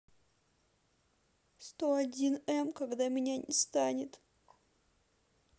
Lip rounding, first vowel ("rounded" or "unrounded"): rounded